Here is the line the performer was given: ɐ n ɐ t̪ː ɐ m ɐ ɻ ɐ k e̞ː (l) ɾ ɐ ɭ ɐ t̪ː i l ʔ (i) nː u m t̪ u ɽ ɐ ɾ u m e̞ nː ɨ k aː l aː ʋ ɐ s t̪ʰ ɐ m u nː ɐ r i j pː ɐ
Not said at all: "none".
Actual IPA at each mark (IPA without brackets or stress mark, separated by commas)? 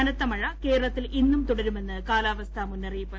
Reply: none, i